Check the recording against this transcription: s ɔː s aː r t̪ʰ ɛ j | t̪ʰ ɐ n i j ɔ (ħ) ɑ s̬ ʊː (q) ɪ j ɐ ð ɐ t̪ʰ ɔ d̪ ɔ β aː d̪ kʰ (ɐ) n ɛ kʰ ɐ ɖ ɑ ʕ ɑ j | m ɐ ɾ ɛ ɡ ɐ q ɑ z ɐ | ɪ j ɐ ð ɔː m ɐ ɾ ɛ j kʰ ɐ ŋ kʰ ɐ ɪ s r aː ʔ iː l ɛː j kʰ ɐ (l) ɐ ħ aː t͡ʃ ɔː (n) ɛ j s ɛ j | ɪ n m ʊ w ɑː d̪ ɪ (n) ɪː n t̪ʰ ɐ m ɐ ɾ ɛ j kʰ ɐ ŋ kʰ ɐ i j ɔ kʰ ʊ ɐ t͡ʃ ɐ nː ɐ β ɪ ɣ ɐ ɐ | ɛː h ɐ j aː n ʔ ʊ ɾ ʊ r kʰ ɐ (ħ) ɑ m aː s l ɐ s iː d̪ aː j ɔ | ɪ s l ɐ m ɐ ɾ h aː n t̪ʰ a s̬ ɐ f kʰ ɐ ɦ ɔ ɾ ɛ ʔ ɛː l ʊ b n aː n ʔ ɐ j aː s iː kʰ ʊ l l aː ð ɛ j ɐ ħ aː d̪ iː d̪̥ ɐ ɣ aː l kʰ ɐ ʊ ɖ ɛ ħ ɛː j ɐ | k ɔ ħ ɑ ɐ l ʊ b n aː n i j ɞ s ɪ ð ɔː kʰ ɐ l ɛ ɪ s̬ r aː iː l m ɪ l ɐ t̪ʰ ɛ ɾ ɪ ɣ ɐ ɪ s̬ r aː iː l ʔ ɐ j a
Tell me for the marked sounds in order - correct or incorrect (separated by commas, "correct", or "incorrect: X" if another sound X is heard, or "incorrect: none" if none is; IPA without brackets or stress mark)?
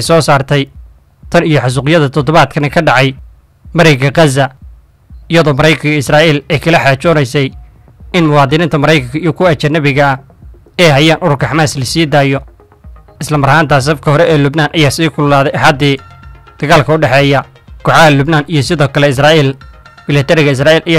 correct, correct, correct, correct, correct, correct, correct